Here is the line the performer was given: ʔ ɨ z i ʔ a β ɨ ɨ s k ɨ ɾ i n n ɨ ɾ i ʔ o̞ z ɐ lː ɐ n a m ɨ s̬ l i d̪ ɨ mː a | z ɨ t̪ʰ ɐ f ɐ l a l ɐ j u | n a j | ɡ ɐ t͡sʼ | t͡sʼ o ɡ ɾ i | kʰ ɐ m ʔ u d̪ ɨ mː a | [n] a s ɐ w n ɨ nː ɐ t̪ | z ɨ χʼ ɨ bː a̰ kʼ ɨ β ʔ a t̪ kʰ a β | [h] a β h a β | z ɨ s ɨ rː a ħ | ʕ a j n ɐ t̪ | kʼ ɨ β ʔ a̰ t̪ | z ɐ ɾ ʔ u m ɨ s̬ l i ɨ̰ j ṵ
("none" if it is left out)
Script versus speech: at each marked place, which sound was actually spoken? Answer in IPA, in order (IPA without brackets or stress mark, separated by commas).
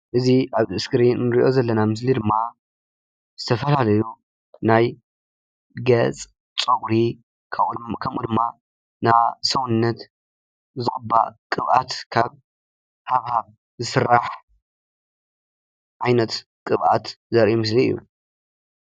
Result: n, h